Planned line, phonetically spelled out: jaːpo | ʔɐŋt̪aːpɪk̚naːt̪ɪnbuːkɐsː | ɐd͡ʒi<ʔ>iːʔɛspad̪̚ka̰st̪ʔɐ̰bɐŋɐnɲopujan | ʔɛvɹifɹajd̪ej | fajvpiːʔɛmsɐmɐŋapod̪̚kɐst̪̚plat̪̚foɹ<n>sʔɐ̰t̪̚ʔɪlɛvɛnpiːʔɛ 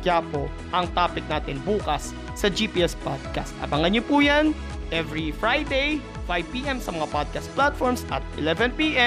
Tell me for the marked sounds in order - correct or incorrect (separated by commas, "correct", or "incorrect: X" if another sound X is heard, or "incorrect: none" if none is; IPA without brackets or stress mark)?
incorrect: p, incorrect: m